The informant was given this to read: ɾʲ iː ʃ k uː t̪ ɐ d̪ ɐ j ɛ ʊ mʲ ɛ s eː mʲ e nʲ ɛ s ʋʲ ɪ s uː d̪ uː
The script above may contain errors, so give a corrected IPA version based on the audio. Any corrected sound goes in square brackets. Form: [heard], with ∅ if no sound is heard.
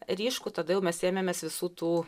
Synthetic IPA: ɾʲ iː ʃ k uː t̪ ɐ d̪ ɐ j ɛ ʊ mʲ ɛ s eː mʲ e [mʲ] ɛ s ʋʲ ɪ s uː [t̪] uː

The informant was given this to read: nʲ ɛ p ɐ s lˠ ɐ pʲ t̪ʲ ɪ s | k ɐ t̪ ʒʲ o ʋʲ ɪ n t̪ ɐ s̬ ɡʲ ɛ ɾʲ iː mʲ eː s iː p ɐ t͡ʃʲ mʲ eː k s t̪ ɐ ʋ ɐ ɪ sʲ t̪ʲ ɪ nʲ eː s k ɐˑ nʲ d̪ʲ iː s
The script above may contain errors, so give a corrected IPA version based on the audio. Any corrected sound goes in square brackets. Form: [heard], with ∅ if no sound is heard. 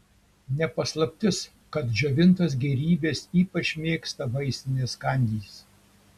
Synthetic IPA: nʲ ɛ p ɐ s lˠ ɐ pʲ t̪ʲ ɪ s | k ɐ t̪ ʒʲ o ʋʲ ɪ n t̪ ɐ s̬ ɡʲ ɛ ɾʲ iː [bʲ] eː s iː p ɐ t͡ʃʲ mʲ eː k s t̪ ɐ ʋ ɐ ɪ sʲ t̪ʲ ɪ nʲ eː s k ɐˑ nʲ d̪ʲ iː s

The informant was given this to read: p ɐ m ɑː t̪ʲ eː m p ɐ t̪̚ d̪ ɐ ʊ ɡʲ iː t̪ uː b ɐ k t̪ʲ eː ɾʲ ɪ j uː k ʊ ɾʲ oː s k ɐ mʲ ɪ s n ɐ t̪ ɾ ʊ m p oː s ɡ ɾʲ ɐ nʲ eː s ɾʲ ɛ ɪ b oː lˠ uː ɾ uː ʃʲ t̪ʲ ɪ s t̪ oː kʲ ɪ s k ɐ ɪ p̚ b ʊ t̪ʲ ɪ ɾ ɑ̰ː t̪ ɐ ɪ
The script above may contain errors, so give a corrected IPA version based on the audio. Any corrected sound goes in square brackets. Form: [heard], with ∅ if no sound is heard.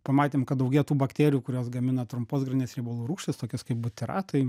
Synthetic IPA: p ɐ m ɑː t̪ʲ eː m [k] ɐ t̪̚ d̪ ɐ ʊ ɡʲ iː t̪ uː b ɐ k t̪ʲ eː ɾʲ ɪ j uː k ʊ ɾʲ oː s [ɡ] ɐ mʲ ɪ [∅] n ɐ t̪ ɾ ʊ m p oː s ɡ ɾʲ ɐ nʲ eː s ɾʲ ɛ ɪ b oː lˠ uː ɾ uː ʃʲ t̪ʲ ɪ s t̪ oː kʲ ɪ s k ɐ ɪ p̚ b ʊ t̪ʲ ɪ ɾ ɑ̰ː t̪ ɐ ɪ

